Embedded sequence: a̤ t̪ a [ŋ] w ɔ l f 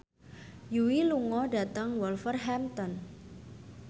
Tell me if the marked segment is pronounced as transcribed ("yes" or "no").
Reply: yes